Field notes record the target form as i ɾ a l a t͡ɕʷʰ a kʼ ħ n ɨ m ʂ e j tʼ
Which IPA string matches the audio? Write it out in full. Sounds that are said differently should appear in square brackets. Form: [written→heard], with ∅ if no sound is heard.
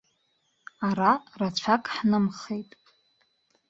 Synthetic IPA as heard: [i→a] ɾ a [l→r] a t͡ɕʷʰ a kʼ ħ n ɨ m [ʂ→χ] e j tʼ